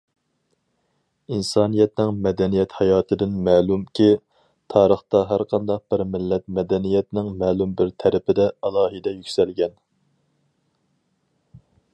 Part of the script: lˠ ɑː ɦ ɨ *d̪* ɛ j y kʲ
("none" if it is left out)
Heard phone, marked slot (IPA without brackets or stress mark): d̪